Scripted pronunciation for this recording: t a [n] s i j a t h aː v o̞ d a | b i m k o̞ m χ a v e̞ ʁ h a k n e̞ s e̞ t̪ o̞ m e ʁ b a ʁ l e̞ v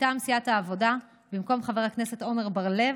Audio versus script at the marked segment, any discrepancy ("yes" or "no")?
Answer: yes